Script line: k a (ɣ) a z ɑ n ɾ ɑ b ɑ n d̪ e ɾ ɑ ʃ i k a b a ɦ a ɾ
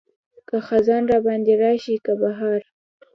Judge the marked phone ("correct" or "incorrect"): incorrect